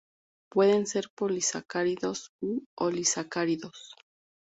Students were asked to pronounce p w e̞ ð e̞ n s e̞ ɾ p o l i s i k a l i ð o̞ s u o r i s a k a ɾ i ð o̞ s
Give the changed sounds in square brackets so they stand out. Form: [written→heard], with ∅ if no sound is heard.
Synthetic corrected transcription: p w e̞ ð e̞ n s e̞ ɾ p o l i s [i→a] k a [l→ɾ] i ð o̞ s u o [r→l] i s a k a ɾ i ð o̞ s